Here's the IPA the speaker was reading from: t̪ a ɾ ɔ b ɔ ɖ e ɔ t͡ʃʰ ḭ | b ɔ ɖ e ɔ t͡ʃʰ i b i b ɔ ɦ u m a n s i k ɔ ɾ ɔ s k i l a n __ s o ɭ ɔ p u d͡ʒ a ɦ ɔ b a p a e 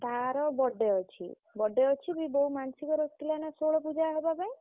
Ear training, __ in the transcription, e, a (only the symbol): a